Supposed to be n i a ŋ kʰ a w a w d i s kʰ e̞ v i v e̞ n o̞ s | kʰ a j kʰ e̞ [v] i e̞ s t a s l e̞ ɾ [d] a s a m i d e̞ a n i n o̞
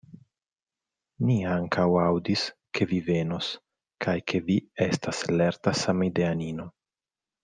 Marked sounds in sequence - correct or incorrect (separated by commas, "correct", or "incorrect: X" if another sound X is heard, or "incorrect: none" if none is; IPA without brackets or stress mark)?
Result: correct, incorrect: t